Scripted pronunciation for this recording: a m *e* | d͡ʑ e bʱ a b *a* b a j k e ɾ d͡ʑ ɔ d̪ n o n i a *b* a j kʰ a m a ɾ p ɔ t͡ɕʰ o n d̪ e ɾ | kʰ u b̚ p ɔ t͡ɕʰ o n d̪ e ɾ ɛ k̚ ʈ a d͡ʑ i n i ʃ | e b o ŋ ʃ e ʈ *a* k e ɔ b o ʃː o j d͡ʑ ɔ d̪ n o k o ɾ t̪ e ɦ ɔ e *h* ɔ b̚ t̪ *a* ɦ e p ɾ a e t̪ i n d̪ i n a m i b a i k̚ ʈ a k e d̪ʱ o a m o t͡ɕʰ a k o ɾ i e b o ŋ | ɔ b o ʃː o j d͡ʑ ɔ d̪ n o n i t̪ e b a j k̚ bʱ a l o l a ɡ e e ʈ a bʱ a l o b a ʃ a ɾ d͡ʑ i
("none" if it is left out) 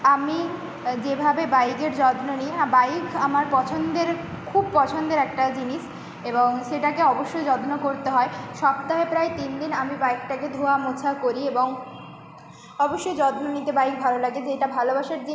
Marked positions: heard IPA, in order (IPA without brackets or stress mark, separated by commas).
i, e, b, a, ʃ, a